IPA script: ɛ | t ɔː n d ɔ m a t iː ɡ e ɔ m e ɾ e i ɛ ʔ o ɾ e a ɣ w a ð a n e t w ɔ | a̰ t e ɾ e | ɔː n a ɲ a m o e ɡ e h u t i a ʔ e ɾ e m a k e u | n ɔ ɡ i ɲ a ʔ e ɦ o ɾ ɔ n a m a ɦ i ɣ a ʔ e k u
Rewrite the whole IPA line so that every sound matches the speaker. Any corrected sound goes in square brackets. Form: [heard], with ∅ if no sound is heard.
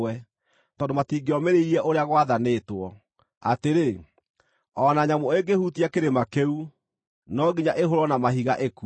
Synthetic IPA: ɛ | t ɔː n d [o] m a t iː ɡ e ɔ m e ɾ e i ɛ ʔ o ɾ e a ɣ w a ð a n e t w ɔ | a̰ t e ɾ e | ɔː n a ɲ a m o e ɡ e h u t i a [k] e ɾ e m a k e u | n ɔ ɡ i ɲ a ʔ e ɦ o ɾ ɔ n a m a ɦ i ɣ a ʔ e k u